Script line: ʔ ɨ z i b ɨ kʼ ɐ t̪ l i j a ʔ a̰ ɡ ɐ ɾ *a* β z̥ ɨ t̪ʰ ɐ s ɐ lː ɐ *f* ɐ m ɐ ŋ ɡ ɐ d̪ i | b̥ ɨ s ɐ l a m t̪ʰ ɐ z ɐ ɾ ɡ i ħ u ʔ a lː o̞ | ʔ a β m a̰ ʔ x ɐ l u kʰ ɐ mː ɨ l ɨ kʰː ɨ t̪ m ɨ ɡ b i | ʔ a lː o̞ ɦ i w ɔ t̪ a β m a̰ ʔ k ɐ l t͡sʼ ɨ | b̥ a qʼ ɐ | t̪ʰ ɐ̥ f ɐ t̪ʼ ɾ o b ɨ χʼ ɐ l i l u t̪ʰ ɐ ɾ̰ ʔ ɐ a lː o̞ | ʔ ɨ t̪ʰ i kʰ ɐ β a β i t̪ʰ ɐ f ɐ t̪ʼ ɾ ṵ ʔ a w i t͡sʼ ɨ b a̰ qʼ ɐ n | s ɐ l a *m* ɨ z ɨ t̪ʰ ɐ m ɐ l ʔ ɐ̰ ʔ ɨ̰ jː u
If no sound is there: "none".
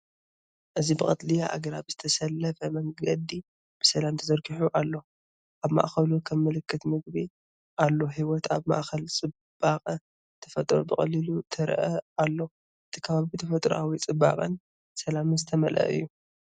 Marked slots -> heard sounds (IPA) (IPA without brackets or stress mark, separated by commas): a, f, m